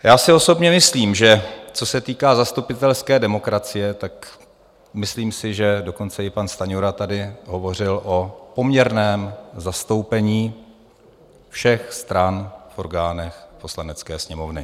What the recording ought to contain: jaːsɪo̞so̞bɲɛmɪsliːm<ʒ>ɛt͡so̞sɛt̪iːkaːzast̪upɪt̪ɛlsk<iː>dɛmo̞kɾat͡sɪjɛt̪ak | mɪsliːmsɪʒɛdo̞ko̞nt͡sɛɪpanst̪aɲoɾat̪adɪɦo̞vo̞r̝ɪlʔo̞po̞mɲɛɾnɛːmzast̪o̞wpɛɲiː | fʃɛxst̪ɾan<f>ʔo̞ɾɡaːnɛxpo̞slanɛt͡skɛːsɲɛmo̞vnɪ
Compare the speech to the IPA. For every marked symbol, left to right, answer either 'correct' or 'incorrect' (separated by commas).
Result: correct, incorrect, correct